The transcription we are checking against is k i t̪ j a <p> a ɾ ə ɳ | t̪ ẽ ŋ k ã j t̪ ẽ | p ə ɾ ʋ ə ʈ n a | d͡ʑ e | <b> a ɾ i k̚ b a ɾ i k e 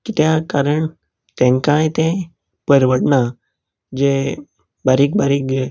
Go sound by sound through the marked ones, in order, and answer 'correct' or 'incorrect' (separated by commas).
incorrect, correct